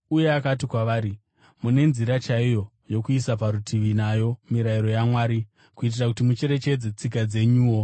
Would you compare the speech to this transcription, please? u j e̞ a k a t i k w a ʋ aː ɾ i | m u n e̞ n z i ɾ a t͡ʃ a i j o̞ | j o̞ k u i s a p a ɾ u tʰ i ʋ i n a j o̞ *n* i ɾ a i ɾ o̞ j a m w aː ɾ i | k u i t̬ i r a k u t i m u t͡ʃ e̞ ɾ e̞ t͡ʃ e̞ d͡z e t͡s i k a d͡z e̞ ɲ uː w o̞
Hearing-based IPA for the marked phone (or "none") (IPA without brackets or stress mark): m